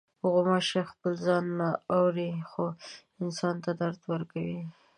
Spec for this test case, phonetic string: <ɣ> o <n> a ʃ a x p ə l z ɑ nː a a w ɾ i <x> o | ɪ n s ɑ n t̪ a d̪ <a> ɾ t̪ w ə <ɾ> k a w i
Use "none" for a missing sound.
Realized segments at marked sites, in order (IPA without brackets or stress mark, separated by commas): ɣ, m, x, a, ɾ